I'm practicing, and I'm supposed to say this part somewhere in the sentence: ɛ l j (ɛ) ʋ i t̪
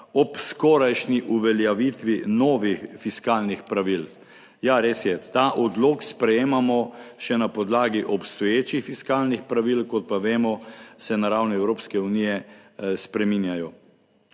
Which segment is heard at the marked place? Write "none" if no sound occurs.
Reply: a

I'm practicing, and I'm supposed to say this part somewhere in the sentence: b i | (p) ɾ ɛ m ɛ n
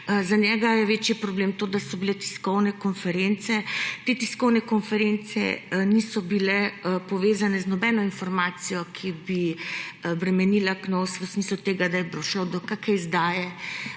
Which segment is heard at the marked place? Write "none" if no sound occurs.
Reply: b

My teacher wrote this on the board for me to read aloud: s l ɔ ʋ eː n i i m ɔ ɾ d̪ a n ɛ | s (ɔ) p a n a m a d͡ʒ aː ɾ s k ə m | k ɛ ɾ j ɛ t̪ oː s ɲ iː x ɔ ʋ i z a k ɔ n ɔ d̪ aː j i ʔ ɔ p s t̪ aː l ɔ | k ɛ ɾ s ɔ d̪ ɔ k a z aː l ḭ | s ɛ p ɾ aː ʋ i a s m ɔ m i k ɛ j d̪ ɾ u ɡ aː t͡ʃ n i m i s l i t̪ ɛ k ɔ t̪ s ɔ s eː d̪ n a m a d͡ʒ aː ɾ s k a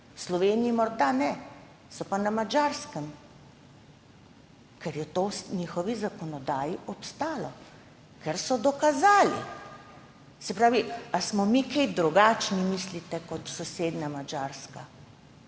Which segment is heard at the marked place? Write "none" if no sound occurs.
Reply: ɔ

